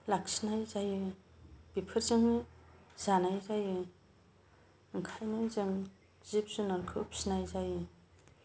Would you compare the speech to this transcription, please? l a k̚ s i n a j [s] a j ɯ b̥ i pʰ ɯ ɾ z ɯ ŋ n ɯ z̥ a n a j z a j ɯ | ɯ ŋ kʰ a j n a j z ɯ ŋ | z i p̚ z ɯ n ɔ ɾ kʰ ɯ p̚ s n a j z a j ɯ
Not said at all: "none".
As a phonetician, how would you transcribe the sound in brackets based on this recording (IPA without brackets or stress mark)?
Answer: z